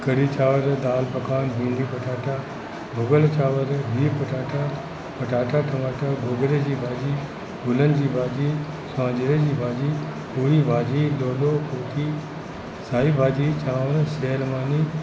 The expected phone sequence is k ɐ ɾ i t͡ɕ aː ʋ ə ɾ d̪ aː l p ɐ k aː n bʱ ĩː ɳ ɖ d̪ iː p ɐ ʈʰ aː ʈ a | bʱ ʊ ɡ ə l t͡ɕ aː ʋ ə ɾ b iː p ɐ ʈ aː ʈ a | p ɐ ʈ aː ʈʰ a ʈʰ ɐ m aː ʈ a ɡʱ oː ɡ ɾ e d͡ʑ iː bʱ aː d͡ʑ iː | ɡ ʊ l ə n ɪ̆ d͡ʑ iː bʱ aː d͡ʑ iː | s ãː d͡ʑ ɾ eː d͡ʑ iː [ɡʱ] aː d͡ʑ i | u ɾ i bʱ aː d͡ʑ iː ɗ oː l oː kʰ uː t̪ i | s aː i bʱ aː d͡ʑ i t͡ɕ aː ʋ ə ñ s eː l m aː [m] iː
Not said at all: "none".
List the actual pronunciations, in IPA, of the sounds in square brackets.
bʱ, n

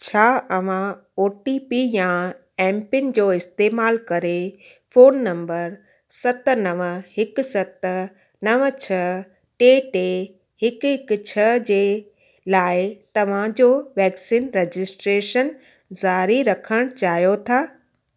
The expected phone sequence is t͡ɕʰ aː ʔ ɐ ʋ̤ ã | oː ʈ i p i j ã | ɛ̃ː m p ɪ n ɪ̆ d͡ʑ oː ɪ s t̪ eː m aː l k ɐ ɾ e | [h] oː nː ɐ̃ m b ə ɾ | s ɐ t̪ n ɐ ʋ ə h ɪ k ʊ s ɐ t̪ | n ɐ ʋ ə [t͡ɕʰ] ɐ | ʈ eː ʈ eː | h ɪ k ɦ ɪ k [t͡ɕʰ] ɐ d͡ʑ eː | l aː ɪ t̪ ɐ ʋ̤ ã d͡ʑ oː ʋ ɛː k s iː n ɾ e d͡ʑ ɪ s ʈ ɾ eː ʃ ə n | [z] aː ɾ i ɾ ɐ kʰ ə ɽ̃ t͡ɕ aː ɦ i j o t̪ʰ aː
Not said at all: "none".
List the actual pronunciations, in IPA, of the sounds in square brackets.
f, t͡ɕʰ, t͡ɕʰ, z

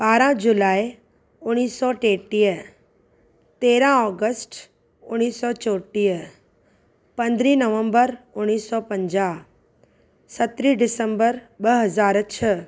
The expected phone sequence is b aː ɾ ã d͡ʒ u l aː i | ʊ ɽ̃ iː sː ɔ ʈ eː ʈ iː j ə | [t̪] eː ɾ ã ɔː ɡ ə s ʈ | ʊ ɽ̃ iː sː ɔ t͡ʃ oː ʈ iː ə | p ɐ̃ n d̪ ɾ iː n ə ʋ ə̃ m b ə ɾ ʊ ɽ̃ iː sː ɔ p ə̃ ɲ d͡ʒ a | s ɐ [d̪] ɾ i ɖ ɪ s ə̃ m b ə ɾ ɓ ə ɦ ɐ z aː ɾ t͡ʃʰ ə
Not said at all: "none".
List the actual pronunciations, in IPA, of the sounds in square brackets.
t̪, t̪

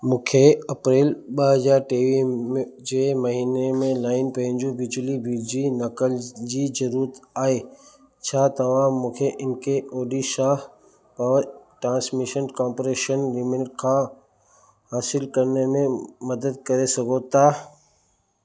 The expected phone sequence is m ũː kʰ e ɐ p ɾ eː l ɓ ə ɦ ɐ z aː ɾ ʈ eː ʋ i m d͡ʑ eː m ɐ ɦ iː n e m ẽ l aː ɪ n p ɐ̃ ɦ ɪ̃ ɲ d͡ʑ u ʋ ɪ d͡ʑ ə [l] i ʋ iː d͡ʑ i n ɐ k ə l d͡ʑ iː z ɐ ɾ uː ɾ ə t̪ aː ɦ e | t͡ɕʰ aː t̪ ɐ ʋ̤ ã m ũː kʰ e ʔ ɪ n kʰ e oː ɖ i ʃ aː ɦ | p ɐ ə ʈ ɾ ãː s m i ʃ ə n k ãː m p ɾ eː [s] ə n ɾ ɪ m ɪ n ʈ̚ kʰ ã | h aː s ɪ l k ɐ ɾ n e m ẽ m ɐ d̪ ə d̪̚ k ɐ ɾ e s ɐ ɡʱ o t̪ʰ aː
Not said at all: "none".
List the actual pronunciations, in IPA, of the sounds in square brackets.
l, ʃ

